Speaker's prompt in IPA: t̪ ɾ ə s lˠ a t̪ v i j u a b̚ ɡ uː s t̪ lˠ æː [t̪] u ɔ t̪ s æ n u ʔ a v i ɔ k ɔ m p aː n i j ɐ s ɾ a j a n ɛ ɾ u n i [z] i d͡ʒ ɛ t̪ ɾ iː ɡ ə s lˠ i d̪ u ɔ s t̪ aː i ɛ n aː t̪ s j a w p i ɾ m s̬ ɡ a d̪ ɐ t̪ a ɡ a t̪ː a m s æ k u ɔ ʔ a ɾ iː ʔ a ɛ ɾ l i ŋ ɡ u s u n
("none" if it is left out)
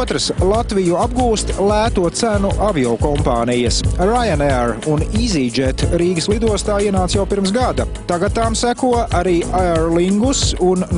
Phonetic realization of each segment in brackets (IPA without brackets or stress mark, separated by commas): t̪, z